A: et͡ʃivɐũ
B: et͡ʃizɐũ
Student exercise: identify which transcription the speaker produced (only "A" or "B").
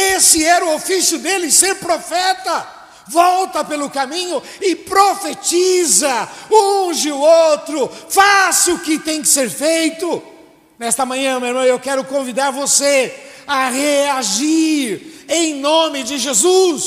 B